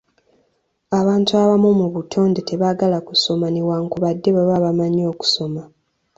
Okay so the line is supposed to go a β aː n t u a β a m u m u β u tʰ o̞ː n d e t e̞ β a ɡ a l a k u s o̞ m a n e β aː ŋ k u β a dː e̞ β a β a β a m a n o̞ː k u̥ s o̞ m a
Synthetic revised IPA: a β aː n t u a β a m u m u β u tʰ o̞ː n d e t e̞ β a ɡ a l a k u s o̞ m a n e w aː ŋ k u β a dː e̞ β a β a β a m a ɲ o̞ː k u̥ s o̞ m a